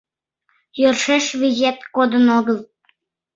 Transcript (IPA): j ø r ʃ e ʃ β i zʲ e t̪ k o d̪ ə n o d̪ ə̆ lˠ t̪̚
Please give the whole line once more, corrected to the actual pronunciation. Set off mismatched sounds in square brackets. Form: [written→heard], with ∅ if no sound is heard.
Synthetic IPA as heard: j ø r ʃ e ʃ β i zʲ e t̪ k o d̪ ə n o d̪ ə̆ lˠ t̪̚